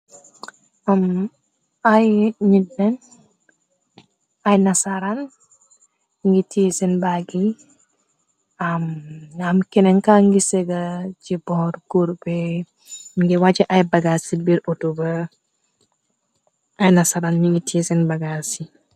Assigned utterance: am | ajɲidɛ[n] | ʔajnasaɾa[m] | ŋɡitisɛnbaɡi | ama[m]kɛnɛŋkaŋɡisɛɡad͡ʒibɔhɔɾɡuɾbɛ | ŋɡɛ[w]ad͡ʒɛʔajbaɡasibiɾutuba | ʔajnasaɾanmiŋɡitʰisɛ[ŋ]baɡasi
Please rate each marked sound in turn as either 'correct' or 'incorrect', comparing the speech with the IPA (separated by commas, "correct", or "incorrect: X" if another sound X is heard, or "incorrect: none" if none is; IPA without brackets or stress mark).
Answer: correct, incorrect: n, correct, correct, incorrect: n